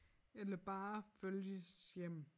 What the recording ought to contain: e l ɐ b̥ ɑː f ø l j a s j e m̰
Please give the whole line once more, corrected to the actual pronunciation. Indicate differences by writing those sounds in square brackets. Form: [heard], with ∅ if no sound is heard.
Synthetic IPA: e l ɐ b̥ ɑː f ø l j [ə] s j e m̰